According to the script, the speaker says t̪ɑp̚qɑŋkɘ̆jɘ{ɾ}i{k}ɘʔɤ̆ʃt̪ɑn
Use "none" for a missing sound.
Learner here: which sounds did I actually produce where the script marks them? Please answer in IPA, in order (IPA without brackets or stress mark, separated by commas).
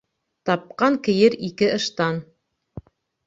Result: ɾ, k